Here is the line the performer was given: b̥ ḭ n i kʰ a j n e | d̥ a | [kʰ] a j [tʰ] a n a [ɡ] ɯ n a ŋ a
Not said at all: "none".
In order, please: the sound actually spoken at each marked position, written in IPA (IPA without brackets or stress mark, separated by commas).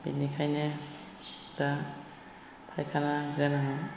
pʰ, kʰ, ɡ